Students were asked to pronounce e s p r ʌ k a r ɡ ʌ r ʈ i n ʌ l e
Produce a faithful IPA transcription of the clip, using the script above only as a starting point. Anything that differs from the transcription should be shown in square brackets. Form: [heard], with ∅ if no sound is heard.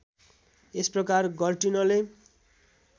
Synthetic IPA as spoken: e s p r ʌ k a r ɡ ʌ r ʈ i n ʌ l e